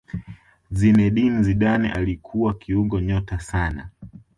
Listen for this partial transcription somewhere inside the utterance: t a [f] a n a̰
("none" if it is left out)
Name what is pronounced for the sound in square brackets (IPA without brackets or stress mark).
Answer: s